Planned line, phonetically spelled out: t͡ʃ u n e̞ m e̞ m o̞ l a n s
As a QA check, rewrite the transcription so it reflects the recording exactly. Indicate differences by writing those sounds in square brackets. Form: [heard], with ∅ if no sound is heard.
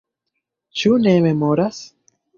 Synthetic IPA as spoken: t͡ʃ u n e̞ m e̞ m o̞ [ɾ] a [∅] s